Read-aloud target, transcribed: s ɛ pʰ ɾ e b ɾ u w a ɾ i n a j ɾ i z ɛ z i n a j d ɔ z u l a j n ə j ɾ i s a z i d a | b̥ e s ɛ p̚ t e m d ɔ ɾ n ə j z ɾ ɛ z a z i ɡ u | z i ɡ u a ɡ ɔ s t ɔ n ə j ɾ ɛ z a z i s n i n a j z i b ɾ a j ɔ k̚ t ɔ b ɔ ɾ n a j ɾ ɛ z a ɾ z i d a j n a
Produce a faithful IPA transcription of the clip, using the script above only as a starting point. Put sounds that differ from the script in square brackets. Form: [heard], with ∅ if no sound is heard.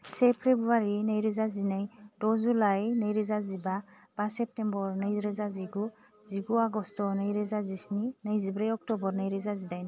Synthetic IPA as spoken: s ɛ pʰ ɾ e b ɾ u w a ɾ i n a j ɾ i z [a] z i n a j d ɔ z u l a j n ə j ɾ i [z] a z i [b] a | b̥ [a] s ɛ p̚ t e m [b] ɔ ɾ n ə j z ɾ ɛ z a z i ɡ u | z i ɡ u a ɡ ɔ s t ɔ n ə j ɾ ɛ z a z i s n i n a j z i b ɾ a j ɔ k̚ t ɔ b ɔ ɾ n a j ɾ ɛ z a [∅] z i d a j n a